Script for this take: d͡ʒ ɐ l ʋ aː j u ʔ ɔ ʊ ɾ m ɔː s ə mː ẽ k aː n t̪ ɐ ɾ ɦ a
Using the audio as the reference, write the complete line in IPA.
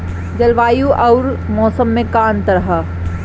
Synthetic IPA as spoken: d͡ʒ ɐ l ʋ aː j u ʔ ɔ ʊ ɾ m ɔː s ə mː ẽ k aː n t̪ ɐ ɾ ɦ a